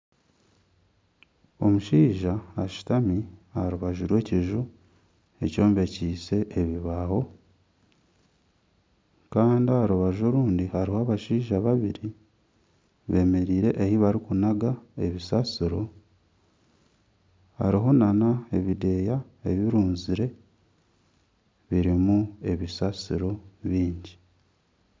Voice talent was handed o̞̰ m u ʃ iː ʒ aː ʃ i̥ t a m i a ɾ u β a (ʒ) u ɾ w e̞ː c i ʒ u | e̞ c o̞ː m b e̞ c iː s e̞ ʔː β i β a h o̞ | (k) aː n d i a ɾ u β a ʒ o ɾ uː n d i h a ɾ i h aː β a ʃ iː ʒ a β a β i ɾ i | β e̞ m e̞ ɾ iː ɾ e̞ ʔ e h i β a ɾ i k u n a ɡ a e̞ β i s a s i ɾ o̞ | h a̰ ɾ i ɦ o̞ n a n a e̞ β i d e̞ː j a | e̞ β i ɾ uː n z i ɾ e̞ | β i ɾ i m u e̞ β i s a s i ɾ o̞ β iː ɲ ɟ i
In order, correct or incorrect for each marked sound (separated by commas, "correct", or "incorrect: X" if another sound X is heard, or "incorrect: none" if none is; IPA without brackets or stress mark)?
correct, correct